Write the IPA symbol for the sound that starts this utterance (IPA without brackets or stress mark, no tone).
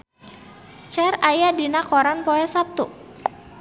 t͡ʃ